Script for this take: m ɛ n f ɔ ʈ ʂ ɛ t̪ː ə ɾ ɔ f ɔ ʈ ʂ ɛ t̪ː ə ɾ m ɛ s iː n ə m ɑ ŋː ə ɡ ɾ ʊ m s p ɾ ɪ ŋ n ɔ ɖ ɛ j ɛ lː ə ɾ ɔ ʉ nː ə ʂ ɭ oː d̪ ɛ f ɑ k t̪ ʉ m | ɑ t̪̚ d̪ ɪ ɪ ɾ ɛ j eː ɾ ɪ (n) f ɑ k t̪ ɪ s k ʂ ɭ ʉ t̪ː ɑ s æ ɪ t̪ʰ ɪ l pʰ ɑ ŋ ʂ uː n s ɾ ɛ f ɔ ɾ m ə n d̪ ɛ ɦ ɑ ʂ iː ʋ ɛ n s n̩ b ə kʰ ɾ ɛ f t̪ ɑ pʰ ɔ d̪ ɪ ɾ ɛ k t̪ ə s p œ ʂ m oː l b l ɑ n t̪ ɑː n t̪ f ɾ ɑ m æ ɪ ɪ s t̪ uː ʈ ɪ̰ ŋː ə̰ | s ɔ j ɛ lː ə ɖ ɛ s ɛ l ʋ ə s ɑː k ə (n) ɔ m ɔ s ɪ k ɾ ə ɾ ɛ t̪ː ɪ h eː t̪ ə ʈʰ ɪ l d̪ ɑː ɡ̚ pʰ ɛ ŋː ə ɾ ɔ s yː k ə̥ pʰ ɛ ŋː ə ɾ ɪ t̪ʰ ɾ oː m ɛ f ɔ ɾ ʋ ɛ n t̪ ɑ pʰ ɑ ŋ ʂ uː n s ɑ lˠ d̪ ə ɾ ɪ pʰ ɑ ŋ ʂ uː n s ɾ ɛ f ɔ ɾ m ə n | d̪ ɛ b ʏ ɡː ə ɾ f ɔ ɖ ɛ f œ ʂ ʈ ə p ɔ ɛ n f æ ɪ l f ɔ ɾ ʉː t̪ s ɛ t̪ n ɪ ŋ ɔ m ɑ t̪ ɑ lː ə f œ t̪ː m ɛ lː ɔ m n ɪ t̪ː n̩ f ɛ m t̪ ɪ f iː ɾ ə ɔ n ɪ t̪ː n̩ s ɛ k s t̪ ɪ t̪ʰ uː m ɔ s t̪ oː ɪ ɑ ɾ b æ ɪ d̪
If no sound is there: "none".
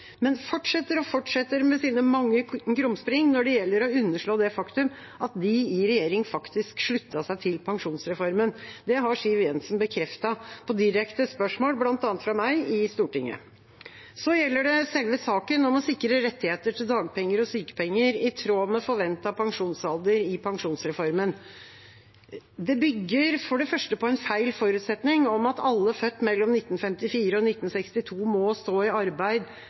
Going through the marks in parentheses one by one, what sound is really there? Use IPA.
ŋ, n

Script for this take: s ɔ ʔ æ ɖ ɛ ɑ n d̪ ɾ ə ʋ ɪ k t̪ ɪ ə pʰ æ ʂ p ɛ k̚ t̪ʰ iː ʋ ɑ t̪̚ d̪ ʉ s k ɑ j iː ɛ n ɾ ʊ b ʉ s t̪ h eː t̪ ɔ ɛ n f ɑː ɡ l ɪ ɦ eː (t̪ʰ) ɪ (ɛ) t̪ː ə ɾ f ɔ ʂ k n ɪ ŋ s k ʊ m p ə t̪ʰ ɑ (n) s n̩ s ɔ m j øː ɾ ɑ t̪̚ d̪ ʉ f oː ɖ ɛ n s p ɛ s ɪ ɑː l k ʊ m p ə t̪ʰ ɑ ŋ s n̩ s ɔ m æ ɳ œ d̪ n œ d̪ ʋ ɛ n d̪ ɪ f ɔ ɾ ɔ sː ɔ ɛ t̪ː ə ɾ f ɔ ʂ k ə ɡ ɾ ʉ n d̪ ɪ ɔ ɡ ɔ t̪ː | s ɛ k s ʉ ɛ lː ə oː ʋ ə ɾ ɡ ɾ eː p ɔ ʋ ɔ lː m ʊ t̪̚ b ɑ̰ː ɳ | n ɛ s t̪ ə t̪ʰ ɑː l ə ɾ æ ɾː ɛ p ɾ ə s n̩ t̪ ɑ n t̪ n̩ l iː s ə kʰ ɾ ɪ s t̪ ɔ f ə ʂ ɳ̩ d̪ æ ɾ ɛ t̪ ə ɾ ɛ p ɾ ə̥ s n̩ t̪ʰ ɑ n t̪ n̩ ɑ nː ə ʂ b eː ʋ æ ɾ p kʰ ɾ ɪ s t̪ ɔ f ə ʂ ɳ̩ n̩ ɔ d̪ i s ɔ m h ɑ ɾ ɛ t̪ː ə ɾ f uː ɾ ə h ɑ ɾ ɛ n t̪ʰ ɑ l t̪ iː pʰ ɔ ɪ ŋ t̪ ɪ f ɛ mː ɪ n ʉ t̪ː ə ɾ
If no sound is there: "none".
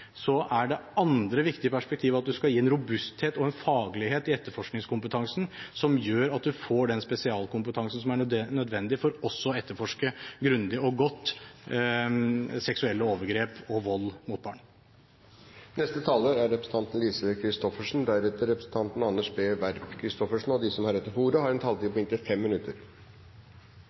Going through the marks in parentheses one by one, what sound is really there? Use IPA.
t̪, ɛ, ŋ

